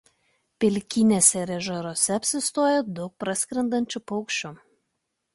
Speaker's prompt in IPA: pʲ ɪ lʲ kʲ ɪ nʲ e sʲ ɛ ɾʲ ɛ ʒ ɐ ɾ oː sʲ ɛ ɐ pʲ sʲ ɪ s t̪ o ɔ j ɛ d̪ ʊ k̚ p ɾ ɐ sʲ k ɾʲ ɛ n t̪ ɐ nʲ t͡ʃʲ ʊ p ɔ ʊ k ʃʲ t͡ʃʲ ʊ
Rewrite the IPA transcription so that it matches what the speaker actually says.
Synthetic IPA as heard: pʲ ɪ lʲ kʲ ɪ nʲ e sʲ ɛ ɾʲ ɛ ʒ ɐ ɾ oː sʲ ɛ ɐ pʲ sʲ ɪ s t̪ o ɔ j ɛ d̪ ʊ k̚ p ɾ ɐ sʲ k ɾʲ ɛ n d̪ ɐ nʲ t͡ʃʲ ʊ p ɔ ʊ k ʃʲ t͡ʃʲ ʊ

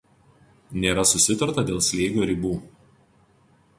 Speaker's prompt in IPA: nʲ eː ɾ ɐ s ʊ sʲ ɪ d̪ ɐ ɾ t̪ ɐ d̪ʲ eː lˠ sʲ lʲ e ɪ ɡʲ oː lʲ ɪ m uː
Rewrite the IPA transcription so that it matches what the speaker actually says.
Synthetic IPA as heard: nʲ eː ɾ ɐ s ʊ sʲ ɪ t̪ ɐ ɾ t̪ ɐ d̪ʲ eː lˠ sʲ lʲ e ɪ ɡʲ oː ɾʲ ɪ b uː

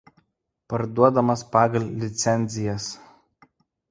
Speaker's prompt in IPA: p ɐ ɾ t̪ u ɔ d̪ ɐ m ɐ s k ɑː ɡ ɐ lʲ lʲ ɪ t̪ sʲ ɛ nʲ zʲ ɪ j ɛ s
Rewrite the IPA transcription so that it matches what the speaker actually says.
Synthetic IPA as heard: p ɐ ɾ d̪ u ɔ d̪ ɐ m ɐ s p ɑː ɡ ɐ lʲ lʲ ɪ t̪ sʲ ɛ nʲ zʲ ɪ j ɛ s

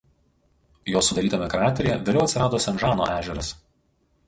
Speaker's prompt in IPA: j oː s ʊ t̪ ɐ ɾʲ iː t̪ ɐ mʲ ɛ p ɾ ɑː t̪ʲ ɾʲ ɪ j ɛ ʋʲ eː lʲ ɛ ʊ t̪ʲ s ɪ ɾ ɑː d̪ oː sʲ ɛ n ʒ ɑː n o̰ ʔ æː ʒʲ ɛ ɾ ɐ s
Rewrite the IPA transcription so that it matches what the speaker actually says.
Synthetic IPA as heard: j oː s ʊ d̪ ɐ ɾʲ iː t̪ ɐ mʲ ɛ k ɾ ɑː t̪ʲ ɾʲ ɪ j ɛ ʋʲ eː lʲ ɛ ʊ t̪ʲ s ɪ ɾ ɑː d̪ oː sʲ ɛ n ʒ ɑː n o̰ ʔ æː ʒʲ ɛ ɾ ɐ s

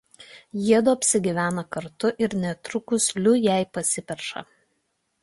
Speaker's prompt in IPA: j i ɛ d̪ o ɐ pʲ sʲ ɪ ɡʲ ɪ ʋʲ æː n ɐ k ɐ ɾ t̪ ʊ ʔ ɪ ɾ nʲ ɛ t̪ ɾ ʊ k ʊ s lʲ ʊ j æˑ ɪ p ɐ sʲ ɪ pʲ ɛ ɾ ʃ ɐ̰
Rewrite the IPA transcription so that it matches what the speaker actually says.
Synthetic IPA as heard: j i ɛ d̪ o ɐ pʲ sʲ ɪ ɡʲ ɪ ʋʲ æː n ɐ k ɐ ɾ t̪ ʊ ʔ ɪ ɾ nʲ ɛ t̪ ɾ ʊ k ʊ s lʲ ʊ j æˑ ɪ p ɐ sʲ ɪ pʲ ɛ ɾ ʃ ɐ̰

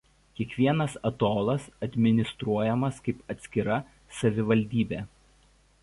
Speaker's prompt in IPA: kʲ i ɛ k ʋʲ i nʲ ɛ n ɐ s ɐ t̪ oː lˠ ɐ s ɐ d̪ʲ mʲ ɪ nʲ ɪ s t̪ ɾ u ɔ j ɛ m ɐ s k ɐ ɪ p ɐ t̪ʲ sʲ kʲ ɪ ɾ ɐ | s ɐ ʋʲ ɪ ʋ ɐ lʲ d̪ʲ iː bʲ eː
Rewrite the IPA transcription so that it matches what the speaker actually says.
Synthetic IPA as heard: kʲ i ɛ k ʋʲ i ɛ n ɐ s ɐ t̪ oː lˠ ɐ s ɐ d̪ʲ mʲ ɪ nʲ ɪ s t̪ ɾ u ɔ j ɛ m ɐ s k ɐ ɪ p ɐ t̪ʲ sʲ kʲ ɪ ɾ ɐ | s ɐ ʋʲ ɪ ʋ ɐ lʲ d̪ʲ iː bʲ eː

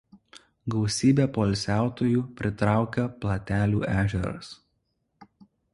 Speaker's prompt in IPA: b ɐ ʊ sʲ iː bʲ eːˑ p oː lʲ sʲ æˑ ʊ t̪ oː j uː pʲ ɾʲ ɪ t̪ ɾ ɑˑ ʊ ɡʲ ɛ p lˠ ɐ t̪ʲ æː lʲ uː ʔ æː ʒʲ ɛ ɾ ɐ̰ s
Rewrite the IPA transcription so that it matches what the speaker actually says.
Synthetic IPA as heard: ɡ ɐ ʊ sʲ iː bʲ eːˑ p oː lʲ sʲ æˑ ʊ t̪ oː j uː pʲ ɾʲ ɪ t̪ ɾ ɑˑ ʊ kʲ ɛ p lˠ ɐ t̪ʲ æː lʲ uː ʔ æː ʒʲ ɛ ɾ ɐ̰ s

